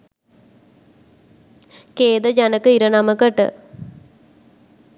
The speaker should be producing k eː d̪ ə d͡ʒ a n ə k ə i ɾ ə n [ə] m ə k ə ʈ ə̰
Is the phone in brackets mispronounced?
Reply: yes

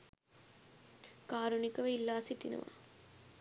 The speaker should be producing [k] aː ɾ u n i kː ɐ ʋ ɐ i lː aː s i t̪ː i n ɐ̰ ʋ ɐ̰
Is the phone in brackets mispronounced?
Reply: no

